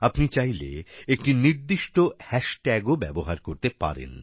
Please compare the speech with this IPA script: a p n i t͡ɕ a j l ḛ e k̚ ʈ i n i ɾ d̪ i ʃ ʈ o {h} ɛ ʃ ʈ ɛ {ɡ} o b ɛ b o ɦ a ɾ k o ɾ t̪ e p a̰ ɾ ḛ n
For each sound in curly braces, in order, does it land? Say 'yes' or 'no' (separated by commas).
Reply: yes, yes